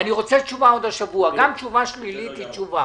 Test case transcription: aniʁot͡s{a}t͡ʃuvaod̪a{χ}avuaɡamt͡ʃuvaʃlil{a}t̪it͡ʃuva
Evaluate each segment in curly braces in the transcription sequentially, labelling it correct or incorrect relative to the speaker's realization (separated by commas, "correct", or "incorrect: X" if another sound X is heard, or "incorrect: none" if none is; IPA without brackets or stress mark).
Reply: incorrect: ɛ, incorrect: ʃ, incorrect: i